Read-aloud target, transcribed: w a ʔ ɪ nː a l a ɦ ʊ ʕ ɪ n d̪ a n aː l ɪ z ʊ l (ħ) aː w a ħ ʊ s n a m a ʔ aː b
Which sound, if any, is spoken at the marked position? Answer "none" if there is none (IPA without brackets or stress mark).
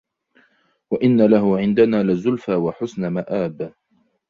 f